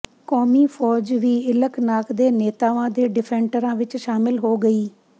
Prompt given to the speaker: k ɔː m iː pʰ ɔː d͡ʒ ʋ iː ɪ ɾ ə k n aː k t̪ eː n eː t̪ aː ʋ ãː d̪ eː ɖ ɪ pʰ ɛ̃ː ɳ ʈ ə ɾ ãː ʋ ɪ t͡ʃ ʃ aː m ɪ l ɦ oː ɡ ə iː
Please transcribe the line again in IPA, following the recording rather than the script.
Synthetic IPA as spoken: k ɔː m iː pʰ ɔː d͡ʒ ʋ iː ɪ l ə k n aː k d̪ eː n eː t̪ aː ʋ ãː d̪ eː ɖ ɪ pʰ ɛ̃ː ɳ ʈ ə ɾ ãː ʋ ɪ t͡ʃ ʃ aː m ɪ l ɦ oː ɡ ə iː